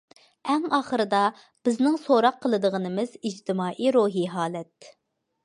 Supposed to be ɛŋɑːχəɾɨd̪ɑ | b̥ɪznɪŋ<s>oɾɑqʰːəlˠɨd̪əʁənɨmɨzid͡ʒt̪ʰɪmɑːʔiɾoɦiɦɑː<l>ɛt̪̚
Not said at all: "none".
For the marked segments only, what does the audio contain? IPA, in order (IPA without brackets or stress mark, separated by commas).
s, l